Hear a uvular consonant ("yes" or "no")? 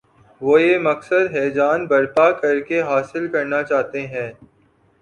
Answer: no